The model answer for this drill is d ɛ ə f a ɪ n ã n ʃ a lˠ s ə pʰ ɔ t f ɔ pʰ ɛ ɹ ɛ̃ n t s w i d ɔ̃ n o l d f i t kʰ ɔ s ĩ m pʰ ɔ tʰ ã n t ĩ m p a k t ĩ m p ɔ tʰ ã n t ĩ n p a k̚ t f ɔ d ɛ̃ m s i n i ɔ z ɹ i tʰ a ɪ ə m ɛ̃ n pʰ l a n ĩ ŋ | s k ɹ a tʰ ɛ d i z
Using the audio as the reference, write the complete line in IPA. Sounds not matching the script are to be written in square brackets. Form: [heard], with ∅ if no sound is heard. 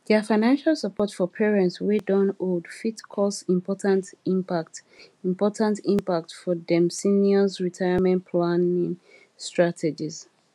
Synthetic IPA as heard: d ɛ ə f a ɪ n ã n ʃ a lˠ s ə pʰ ɔ t f ɔ pʰ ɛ ɹ ɛ̃ n t s w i d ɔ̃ n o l d f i t kʰ ɔ s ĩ m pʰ ɔ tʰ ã n t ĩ m p a k t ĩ m p ɔ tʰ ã n t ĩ [m] p a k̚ t f ɔ d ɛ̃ m s i n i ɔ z ɹ i tʰ a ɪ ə m ɛ̃ n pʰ l a n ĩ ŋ | s [t] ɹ a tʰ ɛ [d͡ʒ] i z